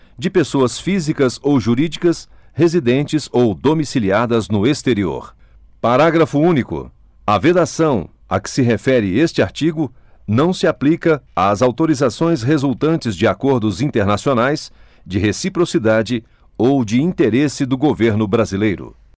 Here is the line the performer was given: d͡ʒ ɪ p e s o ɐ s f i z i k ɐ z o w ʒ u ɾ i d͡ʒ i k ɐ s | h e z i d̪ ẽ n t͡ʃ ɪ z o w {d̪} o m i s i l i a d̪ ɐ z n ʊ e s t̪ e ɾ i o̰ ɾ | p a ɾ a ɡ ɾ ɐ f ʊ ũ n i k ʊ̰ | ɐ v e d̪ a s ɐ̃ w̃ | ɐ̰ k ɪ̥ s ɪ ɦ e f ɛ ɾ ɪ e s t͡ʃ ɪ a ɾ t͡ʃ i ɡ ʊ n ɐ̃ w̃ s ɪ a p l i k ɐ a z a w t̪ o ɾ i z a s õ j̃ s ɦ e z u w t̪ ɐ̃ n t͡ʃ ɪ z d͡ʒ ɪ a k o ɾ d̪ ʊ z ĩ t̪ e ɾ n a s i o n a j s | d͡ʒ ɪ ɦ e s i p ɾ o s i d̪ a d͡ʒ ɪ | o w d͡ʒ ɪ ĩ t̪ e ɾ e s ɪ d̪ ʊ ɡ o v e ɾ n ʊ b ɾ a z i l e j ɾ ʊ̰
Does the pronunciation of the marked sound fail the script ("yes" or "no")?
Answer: no